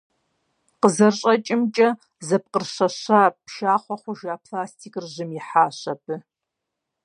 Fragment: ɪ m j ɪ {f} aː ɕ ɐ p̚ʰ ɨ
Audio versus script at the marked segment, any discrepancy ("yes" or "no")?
yes